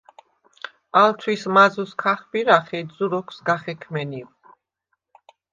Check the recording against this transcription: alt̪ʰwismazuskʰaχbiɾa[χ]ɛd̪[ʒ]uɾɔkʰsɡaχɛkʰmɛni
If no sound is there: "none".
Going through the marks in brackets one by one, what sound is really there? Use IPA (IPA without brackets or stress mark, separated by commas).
χ, z